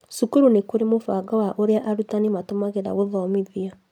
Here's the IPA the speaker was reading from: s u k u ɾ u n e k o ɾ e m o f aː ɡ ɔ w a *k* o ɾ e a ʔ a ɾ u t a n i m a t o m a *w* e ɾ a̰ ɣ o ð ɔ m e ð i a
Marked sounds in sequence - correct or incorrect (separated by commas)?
incorrect, incorrect